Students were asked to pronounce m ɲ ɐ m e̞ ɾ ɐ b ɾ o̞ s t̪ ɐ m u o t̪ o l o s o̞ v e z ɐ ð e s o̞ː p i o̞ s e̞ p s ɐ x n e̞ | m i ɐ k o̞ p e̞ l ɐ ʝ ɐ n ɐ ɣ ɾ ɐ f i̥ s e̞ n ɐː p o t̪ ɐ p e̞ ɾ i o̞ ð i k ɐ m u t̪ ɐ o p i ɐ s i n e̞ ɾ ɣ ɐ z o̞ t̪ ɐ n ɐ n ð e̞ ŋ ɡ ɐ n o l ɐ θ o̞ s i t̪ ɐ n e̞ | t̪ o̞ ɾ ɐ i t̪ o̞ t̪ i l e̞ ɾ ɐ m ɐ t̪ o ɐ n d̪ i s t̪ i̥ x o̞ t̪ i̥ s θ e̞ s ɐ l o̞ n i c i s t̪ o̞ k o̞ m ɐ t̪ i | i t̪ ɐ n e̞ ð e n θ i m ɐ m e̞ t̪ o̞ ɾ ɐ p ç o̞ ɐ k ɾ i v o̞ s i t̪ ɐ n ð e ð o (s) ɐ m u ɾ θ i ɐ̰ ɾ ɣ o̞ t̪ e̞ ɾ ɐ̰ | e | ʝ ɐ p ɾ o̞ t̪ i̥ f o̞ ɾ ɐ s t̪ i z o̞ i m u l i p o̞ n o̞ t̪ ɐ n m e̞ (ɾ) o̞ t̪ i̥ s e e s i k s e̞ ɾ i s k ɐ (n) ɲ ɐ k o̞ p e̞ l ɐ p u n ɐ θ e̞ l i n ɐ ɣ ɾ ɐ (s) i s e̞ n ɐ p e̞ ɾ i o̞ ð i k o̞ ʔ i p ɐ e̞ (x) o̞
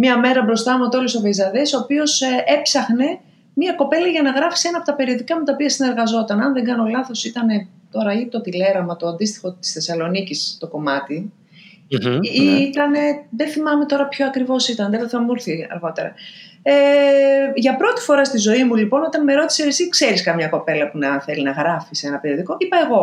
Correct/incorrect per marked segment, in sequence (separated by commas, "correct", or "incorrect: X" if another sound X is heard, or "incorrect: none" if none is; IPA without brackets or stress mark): incorrect: θ, correct, incorrect: m, incorrect: f, incorrect: ɣ